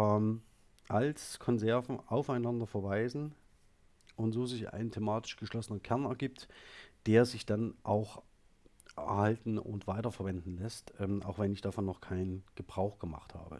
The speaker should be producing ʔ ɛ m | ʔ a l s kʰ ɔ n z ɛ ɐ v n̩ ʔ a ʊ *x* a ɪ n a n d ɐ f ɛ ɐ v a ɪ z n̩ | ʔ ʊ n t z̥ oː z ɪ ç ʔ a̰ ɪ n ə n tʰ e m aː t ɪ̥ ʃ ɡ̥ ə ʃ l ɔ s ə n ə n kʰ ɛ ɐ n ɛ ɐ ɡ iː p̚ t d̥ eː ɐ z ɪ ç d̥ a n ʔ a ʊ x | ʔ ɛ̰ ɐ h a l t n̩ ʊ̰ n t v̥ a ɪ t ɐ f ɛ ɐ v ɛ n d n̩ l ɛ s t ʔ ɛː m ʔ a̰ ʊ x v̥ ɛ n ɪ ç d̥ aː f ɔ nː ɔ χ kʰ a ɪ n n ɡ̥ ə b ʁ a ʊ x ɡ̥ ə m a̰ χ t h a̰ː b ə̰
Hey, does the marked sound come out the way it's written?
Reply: no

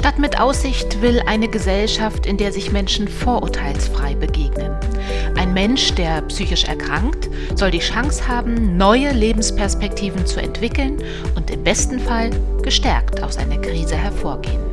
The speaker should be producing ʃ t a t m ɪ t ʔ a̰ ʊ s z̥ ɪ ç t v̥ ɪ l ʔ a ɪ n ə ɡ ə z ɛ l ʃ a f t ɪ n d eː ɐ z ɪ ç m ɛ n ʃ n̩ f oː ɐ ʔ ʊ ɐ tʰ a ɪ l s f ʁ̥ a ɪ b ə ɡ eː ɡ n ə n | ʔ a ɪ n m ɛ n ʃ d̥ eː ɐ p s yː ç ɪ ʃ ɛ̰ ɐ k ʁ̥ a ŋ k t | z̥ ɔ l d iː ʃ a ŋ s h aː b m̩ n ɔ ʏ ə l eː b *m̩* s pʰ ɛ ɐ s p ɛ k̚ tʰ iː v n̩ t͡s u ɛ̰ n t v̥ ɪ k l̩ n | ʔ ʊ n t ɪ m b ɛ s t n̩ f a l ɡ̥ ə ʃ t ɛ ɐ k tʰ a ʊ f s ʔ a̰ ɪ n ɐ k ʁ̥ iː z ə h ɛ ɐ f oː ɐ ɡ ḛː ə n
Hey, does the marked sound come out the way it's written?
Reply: yes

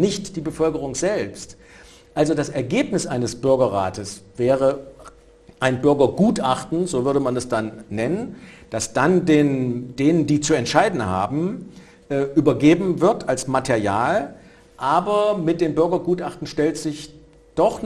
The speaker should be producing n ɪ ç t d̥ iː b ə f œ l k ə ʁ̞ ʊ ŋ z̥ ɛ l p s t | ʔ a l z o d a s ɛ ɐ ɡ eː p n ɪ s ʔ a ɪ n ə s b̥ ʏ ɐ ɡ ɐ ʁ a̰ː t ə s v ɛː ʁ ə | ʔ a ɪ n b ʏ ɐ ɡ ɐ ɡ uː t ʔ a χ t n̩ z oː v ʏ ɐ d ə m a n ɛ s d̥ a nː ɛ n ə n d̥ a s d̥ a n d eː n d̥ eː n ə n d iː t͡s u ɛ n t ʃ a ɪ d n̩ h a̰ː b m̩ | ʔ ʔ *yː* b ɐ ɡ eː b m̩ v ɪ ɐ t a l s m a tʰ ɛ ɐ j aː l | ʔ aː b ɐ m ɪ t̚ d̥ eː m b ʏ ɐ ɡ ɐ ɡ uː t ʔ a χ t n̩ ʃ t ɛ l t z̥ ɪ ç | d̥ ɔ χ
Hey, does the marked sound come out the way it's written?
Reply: yes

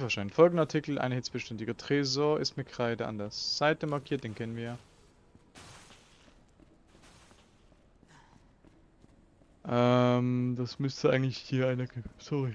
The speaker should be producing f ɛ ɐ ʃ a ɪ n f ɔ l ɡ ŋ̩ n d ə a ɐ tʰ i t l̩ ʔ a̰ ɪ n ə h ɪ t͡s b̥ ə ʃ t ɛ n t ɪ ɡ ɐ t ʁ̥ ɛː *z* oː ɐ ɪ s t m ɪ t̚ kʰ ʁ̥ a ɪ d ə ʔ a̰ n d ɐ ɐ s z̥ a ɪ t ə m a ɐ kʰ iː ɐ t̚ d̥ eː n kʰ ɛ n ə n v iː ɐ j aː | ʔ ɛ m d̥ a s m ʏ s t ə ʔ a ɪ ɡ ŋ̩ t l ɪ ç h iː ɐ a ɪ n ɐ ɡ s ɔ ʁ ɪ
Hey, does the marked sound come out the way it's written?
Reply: yes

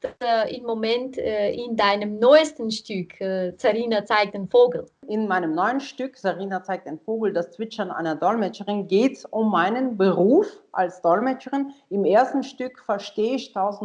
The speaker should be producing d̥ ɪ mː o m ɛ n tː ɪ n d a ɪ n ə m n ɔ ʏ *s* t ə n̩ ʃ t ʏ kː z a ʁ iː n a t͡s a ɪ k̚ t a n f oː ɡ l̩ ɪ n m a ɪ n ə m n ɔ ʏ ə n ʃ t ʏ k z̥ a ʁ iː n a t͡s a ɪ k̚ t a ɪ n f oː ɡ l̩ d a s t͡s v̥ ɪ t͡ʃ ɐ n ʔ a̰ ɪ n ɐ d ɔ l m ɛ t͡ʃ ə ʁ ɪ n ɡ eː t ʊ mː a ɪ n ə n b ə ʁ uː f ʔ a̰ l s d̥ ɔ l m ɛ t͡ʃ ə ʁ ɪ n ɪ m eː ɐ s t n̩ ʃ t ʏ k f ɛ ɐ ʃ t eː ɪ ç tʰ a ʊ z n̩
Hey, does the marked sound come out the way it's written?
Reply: yes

